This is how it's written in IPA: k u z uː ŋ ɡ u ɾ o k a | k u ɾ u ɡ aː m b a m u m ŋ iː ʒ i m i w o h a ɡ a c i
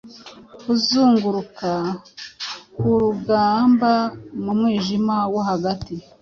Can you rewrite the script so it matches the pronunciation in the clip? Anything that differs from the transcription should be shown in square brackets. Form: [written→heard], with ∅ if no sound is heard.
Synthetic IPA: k u z uː ŋ ɡ u ɾ [o→u] k a | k u ɾ u ɡ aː m b a m u m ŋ iː ʒ i m [i→a] w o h a ɡ a [c→t] i